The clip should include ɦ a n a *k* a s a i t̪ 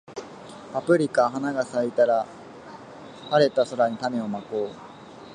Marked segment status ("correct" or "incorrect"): incorrect